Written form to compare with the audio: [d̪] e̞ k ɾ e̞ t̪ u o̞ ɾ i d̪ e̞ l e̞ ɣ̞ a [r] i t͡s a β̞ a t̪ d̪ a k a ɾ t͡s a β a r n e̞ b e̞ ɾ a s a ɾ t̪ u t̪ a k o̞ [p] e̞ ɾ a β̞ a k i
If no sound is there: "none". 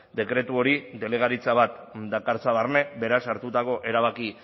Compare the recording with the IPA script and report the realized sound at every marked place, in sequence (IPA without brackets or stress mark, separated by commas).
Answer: d̪, ɾ, ʔ